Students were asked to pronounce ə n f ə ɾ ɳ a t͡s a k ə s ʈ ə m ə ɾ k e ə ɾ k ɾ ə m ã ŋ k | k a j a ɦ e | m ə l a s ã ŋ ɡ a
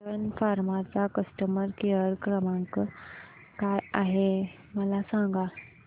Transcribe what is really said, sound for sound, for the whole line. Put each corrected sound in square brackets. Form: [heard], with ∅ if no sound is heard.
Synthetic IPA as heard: ə n f [a] ɾ [m] a t͡s a k ə s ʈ ə m ə ɾ k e ə ɾ k ɾ ə m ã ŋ k | k a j a ɦ e | m ə l a s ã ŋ ɡ a